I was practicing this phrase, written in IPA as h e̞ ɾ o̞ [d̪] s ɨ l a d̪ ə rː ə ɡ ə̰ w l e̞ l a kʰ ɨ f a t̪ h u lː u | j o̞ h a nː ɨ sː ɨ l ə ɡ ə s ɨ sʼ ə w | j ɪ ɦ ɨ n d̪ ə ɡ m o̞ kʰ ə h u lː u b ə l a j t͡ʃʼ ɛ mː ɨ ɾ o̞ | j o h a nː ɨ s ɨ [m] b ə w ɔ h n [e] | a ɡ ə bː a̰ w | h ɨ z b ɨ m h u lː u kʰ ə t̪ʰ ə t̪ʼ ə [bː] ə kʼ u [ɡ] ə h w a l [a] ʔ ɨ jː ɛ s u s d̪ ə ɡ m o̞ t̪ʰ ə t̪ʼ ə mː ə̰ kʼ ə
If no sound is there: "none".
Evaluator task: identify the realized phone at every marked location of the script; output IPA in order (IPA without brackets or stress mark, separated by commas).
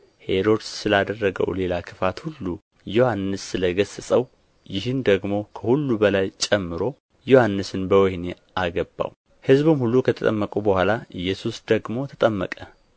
d̪, n, e, mː, b, a